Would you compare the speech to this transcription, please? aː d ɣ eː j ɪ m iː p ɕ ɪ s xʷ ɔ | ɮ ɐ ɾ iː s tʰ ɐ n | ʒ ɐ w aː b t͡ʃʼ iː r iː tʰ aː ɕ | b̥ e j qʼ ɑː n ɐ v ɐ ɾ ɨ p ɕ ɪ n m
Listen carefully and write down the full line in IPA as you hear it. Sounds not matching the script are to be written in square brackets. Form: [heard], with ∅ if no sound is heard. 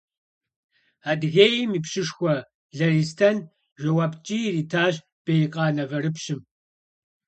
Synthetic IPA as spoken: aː d ɣ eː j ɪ m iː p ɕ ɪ [ʂ] xʷ ɔ | ɮ ɐ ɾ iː s tʰ ɐ n | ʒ ɐ w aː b t͡ʃʼ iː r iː tʰ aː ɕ | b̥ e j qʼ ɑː n ɐ v ɐ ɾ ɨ p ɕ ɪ [∅] m